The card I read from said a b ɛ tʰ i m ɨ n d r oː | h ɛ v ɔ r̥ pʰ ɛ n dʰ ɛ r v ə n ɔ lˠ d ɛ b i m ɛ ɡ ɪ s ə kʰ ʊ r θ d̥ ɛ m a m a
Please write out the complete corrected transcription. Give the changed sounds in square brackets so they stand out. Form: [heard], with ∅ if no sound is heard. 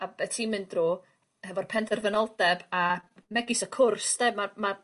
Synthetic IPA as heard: a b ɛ tʰ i m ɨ n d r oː | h ɛ v ɔ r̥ pʰ ɛ n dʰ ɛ r v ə n ɔ lˠ d ɛ b [a] m ɛ ɡ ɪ s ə kʰ ʊ r [s] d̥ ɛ m a m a